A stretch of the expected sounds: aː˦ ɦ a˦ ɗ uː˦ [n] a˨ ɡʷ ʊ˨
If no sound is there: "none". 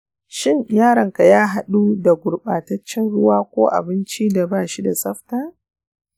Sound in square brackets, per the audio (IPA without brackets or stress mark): d